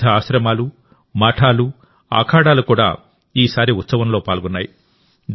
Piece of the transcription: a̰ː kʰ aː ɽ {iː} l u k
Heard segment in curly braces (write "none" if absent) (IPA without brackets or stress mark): aː